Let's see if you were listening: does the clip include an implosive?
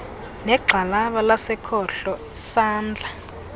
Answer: yes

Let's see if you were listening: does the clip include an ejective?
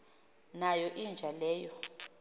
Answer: no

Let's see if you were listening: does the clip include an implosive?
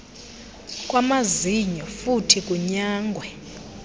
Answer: no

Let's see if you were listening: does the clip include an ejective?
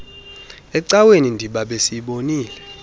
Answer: no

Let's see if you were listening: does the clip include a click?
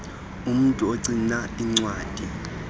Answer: yes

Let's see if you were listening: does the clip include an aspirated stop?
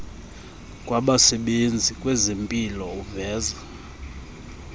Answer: no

